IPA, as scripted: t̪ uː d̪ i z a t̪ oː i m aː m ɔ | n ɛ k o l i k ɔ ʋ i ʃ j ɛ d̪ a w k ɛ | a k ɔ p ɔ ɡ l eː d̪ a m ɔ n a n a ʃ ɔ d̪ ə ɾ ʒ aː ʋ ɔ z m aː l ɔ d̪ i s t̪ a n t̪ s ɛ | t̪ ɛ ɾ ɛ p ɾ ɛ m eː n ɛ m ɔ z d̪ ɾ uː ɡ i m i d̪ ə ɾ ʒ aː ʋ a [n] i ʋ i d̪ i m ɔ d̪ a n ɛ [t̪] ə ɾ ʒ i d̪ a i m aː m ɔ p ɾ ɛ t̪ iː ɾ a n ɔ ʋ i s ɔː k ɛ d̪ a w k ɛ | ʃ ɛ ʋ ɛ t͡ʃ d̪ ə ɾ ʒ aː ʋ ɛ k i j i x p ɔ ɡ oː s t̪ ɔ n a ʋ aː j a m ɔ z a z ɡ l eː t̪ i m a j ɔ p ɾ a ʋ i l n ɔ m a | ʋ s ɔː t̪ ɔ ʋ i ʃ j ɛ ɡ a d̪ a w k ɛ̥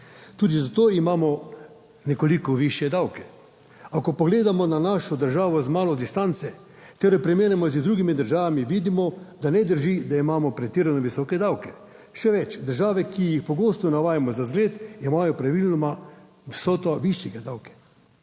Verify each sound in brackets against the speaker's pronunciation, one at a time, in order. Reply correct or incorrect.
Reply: incorrect: m, incorrect: d̪

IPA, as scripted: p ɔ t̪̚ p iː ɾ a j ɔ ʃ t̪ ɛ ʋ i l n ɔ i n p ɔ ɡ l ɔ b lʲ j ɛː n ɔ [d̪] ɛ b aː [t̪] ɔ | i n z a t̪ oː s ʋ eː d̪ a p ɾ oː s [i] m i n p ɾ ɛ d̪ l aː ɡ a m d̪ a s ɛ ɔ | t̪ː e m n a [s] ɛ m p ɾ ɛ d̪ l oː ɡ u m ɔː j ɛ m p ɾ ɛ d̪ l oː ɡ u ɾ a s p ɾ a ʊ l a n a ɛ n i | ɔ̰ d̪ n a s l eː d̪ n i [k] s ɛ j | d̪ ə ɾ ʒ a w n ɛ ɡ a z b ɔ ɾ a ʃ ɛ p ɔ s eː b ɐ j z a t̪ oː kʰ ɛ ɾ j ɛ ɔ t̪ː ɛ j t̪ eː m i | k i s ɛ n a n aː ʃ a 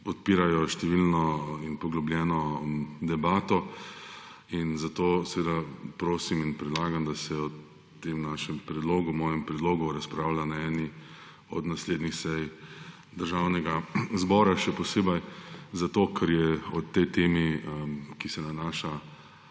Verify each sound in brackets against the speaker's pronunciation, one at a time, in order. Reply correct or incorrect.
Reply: correct, correct, correct, incorrect: ʃ, incorrect: x

